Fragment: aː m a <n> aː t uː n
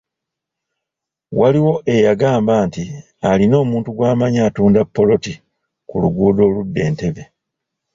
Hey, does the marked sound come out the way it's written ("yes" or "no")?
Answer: no